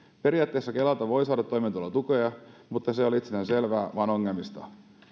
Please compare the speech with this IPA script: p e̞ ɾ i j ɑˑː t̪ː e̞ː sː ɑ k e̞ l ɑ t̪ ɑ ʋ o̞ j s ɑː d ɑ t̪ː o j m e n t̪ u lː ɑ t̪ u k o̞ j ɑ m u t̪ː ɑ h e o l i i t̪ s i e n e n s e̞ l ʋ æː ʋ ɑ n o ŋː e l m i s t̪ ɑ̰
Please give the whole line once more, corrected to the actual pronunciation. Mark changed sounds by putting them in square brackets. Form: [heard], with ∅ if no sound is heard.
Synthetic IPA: p e̞ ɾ i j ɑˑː t̪ː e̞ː sː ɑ k e̞ l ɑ t̪ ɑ ʋ o̞ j s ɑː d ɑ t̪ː o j m e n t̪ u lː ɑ t̪ u k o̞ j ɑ m u t̪ː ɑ [s] e o l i i t̪ s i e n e n s e̞ l ʋ æː ʋ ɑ n o ŋː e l m i s t̪ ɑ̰